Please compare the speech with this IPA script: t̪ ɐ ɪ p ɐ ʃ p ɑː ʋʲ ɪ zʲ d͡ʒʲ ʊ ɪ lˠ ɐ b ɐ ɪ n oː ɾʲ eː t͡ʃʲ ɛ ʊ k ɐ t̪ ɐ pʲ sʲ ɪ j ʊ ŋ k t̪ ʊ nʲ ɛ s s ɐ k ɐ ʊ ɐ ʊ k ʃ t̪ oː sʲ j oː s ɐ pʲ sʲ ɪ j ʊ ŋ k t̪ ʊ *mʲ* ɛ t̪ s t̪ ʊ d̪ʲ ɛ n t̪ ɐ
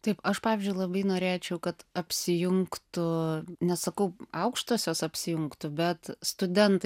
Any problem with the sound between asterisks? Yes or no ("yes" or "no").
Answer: yes